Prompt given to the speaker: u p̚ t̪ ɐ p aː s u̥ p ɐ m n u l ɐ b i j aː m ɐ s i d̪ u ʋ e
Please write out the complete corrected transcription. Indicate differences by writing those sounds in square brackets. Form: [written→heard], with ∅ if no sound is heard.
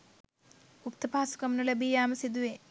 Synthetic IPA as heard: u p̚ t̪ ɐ p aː s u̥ [p→k] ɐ m n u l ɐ b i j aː m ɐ s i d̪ u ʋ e